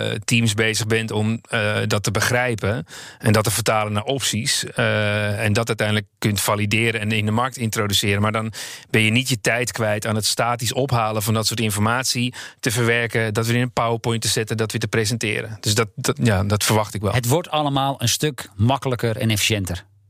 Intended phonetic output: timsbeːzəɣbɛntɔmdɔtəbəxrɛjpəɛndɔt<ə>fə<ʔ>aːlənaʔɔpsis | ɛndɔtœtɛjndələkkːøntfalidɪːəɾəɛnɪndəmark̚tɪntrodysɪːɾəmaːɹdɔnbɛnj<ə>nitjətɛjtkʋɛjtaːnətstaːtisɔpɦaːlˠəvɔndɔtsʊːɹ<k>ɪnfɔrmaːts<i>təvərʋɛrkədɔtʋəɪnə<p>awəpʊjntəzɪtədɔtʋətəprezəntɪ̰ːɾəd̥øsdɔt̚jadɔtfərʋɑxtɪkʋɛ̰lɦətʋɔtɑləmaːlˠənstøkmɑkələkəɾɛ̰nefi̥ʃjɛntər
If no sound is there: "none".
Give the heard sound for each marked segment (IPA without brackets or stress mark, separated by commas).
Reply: ə, t, ə, t, i, p